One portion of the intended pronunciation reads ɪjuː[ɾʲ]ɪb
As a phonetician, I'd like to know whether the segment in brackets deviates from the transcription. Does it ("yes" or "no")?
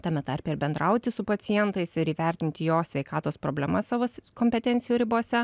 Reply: no